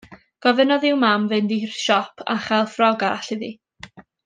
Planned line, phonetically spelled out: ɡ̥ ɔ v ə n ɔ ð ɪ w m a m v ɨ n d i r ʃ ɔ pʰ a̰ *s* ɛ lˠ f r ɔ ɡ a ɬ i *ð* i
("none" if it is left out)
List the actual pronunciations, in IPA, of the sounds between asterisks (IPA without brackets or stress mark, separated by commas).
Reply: χ, ð